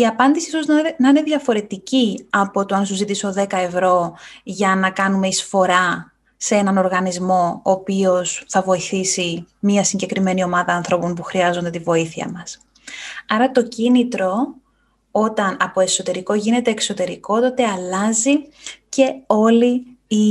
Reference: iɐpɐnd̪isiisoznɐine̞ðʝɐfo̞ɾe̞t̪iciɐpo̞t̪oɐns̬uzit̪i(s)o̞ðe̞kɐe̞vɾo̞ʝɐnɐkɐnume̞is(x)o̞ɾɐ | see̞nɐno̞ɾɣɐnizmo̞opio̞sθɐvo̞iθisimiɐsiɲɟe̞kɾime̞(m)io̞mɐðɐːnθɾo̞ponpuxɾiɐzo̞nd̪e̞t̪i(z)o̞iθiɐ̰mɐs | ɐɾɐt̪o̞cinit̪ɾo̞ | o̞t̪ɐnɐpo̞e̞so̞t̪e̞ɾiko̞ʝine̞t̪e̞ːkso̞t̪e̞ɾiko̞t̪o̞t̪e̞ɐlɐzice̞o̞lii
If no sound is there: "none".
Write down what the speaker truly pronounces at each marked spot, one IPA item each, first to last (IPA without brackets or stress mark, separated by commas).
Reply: s, f, n, v